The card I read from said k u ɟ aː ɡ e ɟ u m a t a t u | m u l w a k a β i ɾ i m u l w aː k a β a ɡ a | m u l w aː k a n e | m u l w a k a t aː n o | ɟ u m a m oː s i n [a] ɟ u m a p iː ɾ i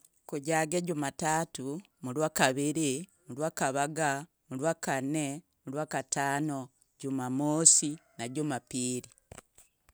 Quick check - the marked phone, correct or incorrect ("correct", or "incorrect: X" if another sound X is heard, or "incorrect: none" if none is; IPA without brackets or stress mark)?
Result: correct